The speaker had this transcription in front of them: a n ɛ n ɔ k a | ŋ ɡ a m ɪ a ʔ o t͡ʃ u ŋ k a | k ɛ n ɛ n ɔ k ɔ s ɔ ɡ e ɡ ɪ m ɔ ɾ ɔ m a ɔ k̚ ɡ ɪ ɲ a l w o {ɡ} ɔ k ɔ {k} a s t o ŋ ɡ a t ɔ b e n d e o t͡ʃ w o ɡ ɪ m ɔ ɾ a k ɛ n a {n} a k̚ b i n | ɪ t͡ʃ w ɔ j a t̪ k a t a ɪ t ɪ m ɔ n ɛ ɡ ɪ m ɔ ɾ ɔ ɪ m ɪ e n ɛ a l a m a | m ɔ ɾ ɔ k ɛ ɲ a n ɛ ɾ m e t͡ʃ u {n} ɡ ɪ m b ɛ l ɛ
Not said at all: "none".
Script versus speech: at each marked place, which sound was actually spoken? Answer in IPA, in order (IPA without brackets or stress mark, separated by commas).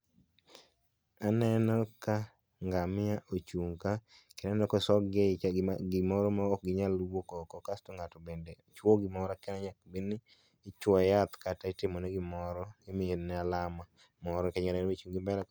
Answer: k, k, ɲ, ŋ